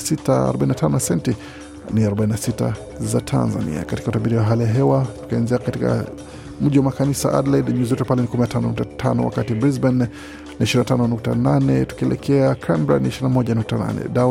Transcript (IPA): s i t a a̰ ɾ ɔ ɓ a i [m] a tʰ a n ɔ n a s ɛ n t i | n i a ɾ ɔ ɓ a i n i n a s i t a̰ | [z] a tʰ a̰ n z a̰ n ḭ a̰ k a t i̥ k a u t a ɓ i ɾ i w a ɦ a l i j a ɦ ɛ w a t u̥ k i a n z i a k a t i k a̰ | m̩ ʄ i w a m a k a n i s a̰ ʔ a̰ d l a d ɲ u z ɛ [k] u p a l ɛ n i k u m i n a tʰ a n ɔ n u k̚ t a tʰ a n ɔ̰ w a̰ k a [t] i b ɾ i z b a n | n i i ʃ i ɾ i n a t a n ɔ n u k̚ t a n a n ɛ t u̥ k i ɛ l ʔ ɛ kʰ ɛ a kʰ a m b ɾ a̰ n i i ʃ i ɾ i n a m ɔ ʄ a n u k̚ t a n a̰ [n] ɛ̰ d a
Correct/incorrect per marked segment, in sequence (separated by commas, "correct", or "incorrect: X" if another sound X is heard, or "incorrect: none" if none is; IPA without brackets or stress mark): incorrect: n, correct, incorrect: t, correct, correct